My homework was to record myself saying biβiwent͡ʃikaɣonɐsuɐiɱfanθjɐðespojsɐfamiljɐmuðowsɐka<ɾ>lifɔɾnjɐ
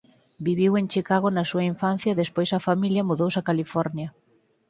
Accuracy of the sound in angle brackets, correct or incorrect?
incorrect